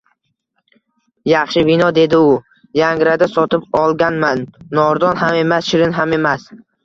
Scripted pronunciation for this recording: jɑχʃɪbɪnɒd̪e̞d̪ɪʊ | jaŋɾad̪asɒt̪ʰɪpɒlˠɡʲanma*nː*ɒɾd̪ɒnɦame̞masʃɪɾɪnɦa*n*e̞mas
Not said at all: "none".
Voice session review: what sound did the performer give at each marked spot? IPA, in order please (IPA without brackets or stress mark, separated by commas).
nː, m